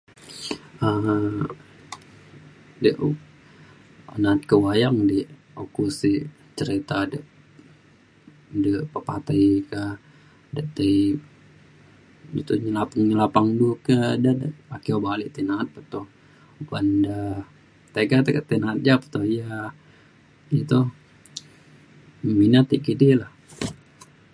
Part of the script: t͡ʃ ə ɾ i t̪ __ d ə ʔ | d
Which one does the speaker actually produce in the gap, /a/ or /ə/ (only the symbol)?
a